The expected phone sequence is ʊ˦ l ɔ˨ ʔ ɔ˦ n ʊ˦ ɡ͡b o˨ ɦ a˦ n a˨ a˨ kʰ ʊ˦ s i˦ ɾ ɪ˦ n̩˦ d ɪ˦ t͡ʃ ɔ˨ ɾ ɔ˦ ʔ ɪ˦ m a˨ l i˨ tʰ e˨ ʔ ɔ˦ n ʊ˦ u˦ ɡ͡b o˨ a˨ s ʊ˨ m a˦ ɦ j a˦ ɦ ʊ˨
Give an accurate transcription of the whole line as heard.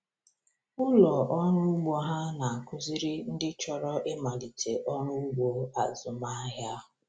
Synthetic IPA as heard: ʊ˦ l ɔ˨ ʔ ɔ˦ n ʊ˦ ɡ͡b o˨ ɦ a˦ n a˨ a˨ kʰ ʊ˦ z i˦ ɾ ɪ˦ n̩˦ d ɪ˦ t͡ʃ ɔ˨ ɾ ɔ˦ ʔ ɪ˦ m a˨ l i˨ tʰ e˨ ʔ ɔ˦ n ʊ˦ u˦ ɡ͡b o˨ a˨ z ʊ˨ m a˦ ɦ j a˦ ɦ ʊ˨